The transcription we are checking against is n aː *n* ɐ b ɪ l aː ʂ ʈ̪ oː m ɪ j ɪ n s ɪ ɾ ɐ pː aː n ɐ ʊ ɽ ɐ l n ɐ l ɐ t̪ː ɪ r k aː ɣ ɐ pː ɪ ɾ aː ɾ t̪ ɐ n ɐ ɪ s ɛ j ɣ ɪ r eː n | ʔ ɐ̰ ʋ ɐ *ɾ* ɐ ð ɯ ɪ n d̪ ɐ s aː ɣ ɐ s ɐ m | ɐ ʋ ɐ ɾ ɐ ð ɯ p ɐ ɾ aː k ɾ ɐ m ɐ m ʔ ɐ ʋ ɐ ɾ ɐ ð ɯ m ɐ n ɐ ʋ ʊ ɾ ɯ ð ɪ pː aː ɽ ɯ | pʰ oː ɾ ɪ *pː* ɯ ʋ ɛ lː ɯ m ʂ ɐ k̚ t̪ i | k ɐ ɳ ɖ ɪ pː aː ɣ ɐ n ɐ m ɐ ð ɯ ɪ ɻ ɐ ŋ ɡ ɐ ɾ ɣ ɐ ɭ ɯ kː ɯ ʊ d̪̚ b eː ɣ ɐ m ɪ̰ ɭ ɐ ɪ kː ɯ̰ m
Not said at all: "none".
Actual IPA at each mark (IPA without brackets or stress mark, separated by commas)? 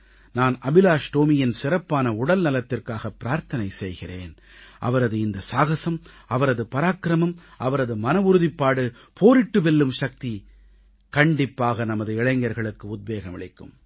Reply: n, ɾ, ʈː